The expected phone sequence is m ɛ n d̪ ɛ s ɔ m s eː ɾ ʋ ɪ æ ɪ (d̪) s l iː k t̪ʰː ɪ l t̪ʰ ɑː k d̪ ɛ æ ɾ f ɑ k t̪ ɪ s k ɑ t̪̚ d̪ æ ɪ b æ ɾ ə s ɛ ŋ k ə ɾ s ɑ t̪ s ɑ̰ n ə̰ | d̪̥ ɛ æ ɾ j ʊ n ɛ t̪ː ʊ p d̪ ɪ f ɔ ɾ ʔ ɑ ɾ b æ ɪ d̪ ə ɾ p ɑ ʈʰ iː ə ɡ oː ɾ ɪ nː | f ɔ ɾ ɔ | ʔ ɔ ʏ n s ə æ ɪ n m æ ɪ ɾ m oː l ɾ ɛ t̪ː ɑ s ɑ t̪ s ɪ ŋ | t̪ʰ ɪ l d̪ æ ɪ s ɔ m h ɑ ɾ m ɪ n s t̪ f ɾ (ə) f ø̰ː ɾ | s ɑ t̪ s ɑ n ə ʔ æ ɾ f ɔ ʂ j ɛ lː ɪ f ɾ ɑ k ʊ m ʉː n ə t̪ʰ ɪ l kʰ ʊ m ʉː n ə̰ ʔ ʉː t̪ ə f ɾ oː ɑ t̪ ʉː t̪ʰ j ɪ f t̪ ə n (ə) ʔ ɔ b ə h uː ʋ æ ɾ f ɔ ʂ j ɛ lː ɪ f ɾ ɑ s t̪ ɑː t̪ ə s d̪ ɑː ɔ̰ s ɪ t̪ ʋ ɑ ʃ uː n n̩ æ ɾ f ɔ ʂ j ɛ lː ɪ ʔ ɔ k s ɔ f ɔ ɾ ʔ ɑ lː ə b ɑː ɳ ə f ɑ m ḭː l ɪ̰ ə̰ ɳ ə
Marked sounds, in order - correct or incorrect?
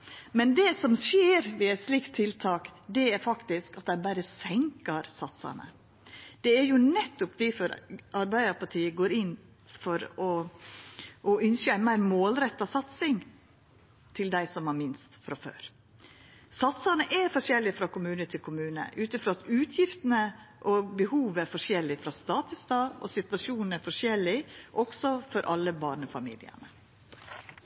incorrect, incorrect, correct

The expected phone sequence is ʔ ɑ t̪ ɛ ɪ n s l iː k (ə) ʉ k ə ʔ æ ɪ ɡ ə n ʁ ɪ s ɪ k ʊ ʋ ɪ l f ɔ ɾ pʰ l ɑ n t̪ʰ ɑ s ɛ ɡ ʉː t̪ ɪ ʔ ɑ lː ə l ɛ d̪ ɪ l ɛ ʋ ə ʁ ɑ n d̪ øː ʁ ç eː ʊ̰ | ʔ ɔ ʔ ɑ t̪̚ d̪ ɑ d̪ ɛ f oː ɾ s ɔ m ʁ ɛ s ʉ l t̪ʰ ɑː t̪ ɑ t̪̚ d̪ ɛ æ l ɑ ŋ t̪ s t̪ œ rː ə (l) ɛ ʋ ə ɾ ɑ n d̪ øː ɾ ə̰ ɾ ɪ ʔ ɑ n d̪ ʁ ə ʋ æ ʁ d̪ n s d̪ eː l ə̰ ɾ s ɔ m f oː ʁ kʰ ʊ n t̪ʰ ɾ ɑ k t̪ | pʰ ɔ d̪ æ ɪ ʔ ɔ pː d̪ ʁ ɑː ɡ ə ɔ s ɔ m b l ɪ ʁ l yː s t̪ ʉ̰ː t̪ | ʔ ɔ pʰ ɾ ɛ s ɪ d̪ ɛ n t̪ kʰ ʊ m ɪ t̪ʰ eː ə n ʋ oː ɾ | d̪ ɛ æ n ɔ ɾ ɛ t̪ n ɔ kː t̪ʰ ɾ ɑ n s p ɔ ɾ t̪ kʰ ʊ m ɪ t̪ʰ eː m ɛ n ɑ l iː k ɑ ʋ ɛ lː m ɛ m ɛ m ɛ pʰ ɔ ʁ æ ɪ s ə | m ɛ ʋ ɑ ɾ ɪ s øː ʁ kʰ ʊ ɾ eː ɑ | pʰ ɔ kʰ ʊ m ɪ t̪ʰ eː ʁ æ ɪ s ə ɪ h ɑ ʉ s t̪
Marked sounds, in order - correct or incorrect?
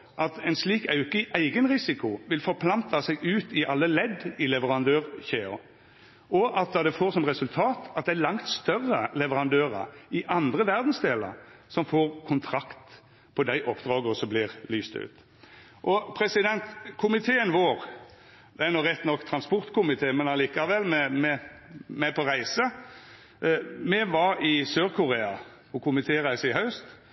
incorrect, correct

